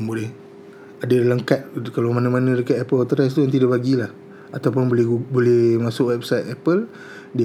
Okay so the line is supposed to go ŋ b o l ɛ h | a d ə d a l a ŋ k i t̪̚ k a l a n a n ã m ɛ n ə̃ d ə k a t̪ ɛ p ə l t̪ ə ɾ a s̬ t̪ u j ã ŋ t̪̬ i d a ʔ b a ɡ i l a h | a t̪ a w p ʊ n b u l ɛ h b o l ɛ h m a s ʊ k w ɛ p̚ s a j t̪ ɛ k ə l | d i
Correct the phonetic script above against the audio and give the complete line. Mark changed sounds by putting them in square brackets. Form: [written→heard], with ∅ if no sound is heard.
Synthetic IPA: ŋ b o l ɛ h | a d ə d a l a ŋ k [i→a] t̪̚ k a l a [n→m] a n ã m [ɛ→a] n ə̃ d ə k a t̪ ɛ p ə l t̪ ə ɾ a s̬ t̪ u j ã ŋ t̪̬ i d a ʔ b a ɡ i l a h | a t̪ a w p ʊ n b [u→o] l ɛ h b o l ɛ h m a s ʊ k w ɛ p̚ s a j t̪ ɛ [k→p] ə l | d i